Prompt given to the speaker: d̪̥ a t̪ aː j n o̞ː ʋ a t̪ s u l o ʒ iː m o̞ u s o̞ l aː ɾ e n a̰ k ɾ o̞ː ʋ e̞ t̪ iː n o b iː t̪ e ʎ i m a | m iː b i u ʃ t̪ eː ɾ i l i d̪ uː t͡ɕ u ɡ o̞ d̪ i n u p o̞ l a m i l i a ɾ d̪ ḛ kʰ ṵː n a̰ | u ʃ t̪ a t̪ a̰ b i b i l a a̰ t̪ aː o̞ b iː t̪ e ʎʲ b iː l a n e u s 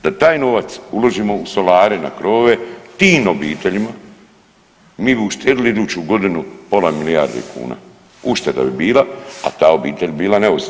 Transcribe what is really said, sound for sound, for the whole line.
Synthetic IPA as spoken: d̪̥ a t̪ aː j n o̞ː ʋ a t̪ s u l o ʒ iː m o̞ u s o̞ l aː ɾ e n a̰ k ɾ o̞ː ʋ e̞ t̪ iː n o b iː t̪ e ʎ i m a | m iː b i u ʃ t̪ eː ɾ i l i d̪ uː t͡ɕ u ɡ o̞ d̪ i n u p o̞ l a m i l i a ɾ d̪ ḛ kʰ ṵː n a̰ | u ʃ t̪ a d̪ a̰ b i b iː l a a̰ t̪ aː o̞ b iː t̪ e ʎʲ b iː l a n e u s